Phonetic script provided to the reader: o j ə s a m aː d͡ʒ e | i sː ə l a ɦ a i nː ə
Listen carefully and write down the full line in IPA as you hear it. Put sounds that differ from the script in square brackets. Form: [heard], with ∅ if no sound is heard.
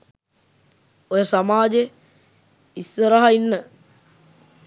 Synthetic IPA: o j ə s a m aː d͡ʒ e | i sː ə [ɾ] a ɦ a i nː ə